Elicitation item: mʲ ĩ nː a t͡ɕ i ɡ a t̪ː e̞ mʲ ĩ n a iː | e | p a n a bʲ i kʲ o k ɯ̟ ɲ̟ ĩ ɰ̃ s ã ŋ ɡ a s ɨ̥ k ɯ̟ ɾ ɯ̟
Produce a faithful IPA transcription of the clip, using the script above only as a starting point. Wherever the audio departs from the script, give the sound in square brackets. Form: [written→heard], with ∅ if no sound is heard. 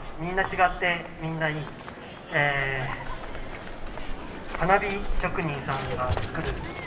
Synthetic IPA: mʲ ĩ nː a t͡ɕ i ɡ a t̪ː e̞ mʲ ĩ [n→nː] a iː | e | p a n a bʲ i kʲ o k ɯ̟ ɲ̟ ĩ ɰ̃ s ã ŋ ɡ a [s→t͡s] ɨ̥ k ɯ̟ ɾ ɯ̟